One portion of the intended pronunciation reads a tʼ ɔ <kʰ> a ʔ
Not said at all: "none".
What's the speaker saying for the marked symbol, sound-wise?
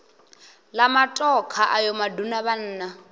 kʰ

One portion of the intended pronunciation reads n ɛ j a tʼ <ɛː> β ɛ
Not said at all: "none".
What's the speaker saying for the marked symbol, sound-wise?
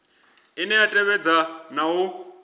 ɛ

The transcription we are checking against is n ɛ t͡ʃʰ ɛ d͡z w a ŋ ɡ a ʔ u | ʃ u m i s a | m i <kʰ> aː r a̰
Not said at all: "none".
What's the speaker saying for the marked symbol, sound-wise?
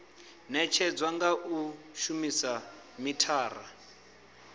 tʰ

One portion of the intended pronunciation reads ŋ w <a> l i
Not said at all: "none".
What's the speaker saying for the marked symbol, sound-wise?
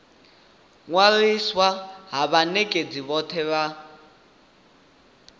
a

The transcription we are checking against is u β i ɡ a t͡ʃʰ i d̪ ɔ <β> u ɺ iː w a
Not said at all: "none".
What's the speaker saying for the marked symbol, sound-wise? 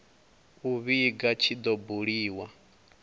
b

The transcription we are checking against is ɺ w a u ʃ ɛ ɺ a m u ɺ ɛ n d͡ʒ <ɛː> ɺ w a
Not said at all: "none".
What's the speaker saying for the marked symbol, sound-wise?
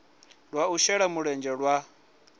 ɛ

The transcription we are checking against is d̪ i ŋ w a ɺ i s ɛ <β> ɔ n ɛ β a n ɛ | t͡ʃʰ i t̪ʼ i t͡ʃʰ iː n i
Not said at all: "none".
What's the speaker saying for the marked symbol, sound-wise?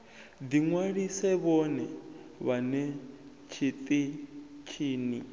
β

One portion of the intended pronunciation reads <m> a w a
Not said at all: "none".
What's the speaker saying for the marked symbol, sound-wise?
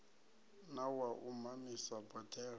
n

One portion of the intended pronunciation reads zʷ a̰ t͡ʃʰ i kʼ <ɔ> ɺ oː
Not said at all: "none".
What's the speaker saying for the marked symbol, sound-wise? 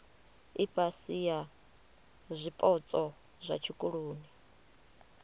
u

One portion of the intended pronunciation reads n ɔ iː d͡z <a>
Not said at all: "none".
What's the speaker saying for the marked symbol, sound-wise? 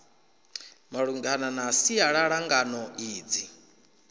i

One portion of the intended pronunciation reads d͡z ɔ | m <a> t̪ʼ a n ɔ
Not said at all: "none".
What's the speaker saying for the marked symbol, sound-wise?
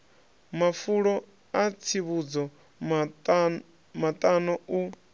a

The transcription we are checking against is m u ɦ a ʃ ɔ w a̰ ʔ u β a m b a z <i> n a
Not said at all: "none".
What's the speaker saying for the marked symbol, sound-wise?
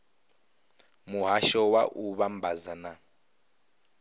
a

